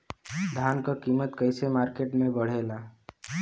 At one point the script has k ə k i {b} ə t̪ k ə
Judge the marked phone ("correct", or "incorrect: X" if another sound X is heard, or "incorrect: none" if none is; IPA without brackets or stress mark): incorrect: m